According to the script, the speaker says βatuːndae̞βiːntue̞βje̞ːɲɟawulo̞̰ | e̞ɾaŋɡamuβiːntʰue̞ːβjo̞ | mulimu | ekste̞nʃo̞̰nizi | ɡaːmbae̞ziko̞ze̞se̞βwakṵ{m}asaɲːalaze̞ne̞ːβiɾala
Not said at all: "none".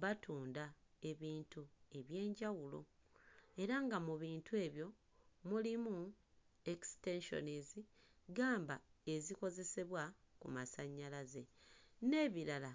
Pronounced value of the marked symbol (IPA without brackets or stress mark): m